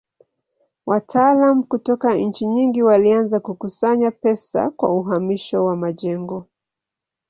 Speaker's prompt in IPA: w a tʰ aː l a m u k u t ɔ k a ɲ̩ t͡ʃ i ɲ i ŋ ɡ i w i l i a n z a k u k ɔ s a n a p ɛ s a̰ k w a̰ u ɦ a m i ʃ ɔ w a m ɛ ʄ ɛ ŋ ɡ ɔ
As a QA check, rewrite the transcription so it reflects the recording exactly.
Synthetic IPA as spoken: w a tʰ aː l a m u k u t ɔ k a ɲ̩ t͡ʃ i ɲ i ŋ ɡ i w a l i a n z a k u k u s a ɲ a p ɛ s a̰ k w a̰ u ɦ a m i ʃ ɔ w a m a ʄ ɛ ŋ ɡ ɔ